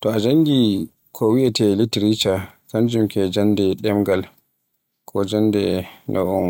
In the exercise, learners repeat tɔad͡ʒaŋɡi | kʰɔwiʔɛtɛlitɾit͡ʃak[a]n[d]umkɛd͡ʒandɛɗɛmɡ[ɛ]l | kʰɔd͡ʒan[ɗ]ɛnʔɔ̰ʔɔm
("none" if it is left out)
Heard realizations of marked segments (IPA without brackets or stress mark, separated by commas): a, d͡ʒ, a, d